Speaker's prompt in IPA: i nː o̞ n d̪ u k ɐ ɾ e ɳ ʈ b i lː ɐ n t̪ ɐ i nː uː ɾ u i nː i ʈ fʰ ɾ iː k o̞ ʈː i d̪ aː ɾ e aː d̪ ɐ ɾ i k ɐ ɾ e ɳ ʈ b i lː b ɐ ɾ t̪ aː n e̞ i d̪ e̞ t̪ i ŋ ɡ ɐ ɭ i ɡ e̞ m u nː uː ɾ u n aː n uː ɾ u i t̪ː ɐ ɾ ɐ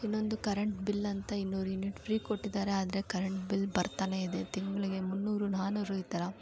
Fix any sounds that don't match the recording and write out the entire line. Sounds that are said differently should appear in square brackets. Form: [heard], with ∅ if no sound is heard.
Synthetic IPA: i nː o̞ n d̪ u k ɐ ɾ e ɳ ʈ b i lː ɐ n t̪ ɐ i nː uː ɾ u i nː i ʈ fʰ ɾ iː k o̞ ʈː i d̪ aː ɾ e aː d̪ ɐ ɾ [e] k ɐ ɾ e ɳ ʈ b i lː b ɐ ɾ t̪ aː n e̞ i d̪ e̞ t̪ i ŋ ɡ ɐ ɭ i ɡ e̞ m u nː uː ɾ u n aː n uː ɾ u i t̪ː ɐ ɾ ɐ